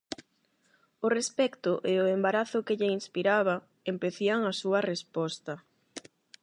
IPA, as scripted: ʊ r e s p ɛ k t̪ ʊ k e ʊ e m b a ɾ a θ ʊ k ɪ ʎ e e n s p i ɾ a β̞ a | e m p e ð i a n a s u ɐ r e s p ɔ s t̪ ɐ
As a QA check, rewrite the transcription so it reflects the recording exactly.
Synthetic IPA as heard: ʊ r e s p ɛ k t̪ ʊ ʔ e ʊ e m b a ɾ a θ ʊ k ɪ ʎ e i n s p i ɾ a β̞ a | e m p e θ i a ŋ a s u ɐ r e s p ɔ s t̪ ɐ